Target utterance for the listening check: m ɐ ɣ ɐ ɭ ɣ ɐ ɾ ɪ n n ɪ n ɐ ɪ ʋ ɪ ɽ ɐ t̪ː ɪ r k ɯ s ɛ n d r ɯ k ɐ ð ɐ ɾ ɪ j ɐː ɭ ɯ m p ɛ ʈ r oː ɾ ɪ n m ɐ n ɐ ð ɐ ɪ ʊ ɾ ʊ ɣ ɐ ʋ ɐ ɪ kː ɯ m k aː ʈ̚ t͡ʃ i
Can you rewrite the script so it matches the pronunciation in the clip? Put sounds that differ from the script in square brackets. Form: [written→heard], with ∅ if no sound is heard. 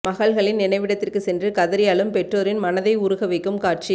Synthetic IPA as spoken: m ɐ ɣ ɐ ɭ ɣ ɐ [ɾ→ɭ] ɪ n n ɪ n ɐ ɪ ʋ ɪ ɽ ɐ t̪ː ɪ r k ɯ s ɛ n d r ɯ k ɐ ð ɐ ɾ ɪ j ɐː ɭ ɯ m p ɛ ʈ r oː ɾ ɪ n m ɐ n ɐ ð ɐ ɪ ʊ ɾ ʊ ɣ ɐ ʋ ɐ ɪ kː ɯ m k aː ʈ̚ t͡ʃ i

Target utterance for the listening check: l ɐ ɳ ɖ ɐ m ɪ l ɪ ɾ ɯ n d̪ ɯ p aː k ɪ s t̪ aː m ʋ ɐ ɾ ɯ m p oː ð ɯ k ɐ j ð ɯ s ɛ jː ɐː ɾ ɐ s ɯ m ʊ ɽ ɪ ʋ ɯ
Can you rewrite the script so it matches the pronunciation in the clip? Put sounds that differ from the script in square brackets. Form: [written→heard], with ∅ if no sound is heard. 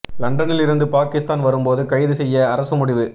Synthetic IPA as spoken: l ɐ ɳ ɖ ɐ [m→n] ɪ l ɪ ɾ ɯ n d̪ ɯ p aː k ɪ s t̪ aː [m→n] ʋ ɐ ɾ ɯ m p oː ð ɯ k ɐ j ð ɯ s ɛ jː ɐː ɾ ɐ s ɯ m ʊ ɽ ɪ ʋ ɯ

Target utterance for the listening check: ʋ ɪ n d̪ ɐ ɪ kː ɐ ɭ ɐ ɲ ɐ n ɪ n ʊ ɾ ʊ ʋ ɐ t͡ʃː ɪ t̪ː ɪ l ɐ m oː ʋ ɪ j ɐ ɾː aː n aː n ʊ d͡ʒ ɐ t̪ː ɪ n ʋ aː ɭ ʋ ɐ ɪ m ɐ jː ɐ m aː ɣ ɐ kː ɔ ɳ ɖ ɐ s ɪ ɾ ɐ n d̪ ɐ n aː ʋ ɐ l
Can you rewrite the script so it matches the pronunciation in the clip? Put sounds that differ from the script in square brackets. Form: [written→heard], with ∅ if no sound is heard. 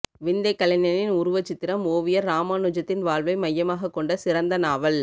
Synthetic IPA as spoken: ʋ ɪ n d̪ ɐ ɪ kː ɐ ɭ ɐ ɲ ɐ n ɪ n ʊ ɾ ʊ ʋ ɐ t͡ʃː ɪ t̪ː ɪ [l→ɾ] ɐ m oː ʋ ɪ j ɐ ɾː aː [n→m] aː n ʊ d͡ʒ ɐ t̪ː ɪ n ʋ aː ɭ ʋ ɐ ɪ m ɐ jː ɐ m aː ɣ ɐ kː ɔ ɳ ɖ ɐ s ɪ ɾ ɐ n d̪ ɐ n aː ʋ ɐ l

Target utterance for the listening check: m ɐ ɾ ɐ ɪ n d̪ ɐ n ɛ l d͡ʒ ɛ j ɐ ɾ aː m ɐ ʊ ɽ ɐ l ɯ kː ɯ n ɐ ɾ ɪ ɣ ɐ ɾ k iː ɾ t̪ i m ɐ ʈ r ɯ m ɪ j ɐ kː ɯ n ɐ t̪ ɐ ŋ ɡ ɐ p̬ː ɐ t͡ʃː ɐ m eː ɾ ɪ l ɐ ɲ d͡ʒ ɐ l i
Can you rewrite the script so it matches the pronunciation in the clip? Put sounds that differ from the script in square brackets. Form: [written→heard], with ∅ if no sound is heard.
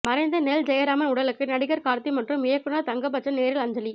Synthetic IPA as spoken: m ɐ ɾ ɐ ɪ n d̪ ɐ n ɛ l d͡ʒ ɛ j ɐ ɾ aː m ɐ ʊ ɽ ɐ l ɯ kː ɯ n ɐ [ɾ→ɽ] ɪ ɣ ɐ ɾ k [iː→aː] ɾ t̪ i m ɐ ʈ r ɯ m ɪ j ɐ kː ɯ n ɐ t̪ ɐ ŋ ɡ ɐ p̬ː ɐ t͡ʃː ɐ [m→n] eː ɾ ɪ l ɐ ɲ d͡ʒ ɐ l i

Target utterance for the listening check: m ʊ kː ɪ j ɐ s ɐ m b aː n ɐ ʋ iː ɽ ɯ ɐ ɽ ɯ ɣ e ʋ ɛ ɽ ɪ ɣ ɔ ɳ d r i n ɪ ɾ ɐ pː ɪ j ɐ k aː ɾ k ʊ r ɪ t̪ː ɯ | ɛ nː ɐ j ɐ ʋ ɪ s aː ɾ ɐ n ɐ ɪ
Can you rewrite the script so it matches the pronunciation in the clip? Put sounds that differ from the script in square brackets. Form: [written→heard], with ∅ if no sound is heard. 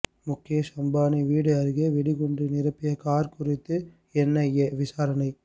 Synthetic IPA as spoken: m ʊ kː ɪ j ɐ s ɐ m b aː n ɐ ʋ iː ɽ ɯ ɐ [ɽ→ɾ] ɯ ɣ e ʋ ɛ ɽ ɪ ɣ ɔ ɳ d r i n ɪ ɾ ɐ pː ɪ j ɐ k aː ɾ k ʊ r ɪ t̪ː ɯ | ɛ nː ɐ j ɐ ʋ ɪ s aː ɾ ɐ n ɐ ɪ

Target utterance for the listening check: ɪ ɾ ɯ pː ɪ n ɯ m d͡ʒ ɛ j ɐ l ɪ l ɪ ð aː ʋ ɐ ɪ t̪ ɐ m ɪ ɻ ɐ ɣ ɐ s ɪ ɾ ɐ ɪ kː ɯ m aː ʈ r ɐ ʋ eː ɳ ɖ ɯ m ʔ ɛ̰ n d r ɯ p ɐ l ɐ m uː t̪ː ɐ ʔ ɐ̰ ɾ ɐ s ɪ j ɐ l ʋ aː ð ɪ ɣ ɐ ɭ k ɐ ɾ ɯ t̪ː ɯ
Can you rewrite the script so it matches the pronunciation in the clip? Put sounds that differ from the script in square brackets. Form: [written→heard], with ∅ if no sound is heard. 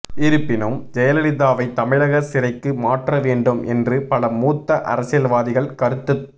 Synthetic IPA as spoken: ɪ ɾ ɯ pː ɪ n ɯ m d͡ʒ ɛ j ɐ l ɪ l ɪ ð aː ʋ ɐ ɪ t̪ ɐ m ɪ ɻ ɐ ɣ ɐ s ɪ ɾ ɐ ɪ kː ɯ m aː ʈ r ɐ ʋ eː ɳ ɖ ɯ m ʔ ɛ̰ n d r ɯ p ɐ l ɐ m uː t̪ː ɐ ʔ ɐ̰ ɾ ɐ s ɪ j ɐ l ʋ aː ð ɪ ɣ ɐ ɭ k ɐ ɾ ɯ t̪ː ɯ

